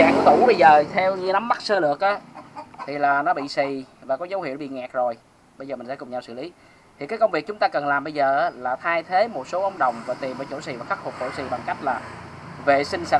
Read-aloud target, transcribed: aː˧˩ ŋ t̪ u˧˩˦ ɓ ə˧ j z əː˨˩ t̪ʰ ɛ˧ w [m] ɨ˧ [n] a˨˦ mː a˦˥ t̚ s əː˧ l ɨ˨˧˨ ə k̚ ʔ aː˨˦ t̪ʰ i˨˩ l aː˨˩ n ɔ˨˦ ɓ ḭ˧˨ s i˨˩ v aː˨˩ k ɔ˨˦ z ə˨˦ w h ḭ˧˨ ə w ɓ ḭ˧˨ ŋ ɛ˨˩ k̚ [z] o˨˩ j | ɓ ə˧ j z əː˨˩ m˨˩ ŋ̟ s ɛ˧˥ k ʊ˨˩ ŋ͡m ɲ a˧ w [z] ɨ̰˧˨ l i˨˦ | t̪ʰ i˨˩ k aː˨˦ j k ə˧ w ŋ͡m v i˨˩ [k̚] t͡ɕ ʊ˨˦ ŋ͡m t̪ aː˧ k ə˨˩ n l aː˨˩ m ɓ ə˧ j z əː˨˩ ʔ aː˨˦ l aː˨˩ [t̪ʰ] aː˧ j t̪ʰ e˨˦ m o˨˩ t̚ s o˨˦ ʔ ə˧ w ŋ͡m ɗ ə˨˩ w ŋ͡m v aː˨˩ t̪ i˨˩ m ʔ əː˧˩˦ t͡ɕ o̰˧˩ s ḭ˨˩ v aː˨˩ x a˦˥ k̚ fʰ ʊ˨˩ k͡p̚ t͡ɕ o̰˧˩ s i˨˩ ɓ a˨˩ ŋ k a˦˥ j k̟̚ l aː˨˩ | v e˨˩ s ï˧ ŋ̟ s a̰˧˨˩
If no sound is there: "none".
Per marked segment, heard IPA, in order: ɲ, n, z, s, k̚, t̪ʰ

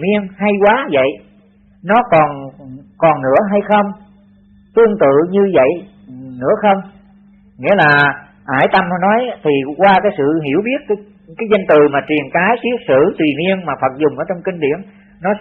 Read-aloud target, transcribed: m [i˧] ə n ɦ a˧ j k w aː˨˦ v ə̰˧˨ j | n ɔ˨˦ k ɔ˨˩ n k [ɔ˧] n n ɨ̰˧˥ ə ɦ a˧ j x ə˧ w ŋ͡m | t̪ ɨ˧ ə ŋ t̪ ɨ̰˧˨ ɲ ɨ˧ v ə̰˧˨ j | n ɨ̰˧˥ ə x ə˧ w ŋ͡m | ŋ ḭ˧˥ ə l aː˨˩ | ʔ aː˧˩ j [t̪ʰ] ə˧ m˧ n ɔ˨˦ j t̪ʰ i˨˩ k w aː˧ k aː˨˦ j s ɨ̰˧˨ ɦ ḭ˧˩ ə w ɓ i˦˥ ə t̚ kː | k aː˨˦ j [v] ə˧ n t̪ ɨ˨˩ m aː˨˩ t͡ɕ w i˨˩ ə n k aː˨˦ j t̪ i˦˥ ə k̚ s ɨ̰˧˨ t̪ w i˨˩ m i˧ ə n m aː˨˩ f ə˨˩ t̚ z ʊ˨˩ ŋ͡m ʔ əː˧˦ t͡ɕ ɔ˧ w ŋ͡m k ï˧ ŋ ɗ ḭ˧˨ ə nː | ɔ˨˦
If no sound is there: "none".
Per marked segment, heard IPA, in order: i˧, ɔ˨˩, t̪, z

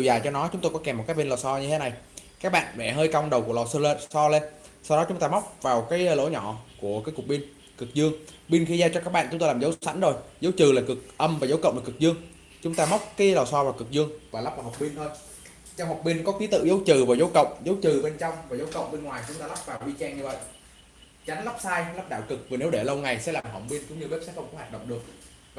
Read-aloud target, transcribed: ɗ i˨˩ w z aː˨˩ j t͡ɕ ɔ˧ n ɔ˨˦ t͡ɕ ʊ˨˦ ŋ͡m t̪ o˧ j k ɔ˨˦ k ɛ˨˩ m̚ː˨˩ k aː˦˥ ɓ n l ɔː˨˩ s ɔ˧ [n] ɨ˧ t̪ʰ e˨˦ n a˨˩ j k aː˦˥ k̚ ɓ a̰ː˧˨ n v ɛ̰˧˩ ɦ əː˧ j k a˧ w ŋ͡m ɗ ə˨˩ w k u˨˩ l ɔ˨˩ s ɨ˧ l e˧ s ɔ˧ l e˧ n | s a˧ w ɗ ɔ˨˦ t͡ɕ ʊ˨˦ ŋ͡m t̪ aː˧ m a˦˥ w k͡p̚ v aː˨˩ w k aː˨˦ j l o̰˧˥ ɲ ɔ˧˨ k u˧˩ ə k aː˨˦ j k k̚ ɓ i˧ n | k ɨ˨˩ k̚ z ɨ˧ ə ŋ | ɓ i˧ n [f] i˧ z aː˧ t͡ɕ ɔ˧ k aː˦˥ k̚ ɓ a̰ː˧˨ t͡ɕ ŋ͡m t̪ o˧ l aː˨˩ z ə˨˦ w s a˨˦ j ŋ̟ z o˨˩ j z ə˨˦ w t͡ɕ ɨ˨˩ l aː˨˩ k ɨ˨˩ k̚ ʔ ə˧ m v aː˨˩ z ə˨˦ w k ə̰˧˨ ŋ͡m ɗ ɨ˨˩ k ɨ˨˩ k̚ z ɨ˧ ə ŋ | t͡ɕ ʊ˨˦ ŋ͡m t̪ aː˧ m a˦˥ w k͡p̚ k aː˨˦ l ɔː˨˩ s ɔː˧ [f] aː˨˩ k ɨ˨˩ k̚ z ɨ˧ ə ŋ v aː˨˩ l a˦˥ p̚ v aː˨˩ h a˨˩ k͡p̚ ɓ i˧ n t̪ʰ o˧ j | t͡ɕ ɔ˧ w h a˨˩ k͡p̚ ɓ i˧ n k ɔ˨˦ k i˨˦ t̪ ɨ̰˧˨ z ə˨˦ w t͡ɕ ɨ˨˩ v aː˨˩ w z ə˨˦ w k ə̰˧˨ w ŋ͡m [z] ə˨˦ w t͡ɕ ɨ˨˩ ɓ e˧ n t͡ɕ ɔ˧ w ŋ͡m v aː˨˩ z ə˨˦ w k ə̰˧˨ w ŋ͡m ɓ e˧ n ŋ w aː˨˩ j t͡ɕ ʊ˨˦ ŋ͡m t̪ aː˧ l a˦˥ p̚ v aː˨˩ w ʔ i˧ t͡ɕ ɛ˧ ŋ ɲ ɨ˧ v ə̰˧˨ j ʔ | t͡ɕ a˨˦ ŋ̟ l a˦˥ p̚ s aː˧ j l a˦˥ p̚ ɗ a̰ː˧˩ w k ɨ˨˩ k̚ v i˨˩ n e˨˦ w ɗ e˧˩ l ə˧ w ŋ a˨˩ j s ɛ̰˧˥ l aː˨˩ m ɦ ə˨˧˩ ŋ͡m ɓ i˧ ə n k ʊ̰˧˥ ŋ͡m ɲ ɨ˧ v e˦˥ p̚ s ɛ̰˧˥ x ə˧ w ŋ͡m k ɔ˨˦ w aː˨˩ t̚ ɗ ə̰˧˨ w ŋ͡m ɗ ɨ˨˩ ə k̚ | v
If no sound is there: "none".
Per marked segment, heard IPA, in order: ɲ, x, v, z

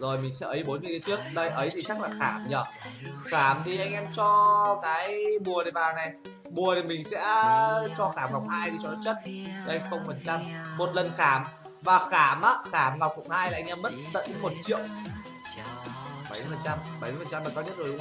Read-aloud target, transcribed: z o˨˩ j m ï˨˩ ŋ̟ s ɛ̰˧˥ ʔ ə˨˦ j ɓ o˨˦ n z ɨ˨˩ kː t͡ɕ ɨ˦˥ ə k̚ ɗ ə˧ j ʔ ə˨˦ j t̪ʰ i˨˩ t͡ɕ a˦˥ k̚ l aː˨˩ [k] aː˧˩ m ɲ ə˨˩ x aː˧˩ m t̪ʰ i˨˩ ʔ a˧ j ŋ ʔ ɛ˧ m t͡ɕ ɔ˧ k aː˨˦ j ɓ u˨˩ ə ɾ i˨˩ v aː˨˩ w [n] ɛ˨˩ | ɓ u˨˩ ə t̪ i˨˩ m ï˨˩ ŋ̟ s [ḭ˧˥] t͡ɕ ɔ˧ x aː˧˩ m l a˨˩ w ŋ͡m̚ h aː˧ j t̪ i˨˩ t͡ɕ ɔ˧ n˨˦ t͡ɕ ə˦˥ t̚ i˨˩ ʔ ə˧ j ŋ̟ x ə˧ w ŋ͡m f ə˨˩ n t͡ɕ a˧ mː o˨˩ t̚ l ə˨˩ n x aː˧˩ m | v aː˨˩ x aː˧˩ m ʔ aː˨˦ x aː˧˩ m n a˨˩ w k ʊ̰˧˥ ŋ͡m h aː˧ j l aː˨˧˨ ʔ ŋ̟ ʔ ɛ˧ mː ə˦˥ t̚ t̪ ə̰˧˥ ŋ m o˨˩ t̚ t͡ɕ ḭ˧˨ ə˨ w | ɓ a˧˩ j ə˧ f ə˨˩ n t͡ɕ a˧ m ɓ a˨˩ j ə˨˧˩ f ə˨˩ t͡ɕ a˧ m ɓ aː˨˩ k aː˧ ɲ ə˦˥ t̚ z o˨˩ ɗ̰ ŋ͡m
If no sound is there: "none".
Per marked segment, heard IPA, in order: x, n, ɛ̰˧˥

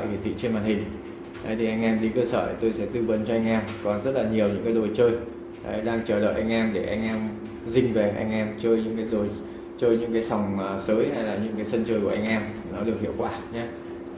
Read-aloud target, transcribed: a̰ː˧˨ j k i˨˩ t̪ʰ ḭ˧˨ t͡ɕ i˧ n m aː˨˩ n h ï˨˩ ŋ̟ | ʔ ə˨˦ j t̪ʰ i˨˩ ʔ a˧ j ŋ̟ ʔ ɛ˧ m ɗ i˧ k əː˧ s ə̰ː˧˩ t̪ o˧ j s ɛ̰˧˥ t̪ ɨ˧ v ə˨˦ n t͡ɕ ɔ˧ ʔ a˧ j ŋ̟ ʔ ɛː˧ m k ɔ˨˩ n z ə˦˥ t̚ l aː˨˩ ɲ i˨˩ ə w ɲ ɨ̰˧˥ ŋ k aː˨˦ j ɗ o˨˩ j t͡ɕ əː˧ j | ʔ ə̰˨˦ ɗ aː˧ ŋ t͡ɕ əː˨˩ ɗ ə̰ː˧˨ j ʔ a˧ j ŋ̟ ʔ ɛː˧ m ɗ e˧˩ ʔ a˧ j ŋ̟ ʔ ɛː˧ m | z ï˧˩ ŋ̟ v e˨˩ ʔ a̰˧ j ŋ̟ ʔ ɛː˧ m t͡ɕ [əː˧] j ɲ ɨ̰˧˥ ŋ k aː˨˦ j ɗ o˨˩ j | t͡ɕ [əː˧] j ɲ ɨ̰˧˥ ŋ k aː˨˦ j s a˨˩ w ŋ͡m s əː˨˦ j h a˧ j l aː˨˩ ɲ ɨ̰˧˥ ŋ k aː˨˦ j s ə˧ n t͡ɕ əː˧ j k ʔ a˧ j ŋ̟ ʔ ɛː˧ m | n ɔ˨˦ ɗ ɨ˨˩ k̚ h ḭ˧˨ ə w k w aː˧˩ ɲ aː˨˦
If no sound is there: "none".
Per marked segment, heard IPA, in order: əː˧, əː˧

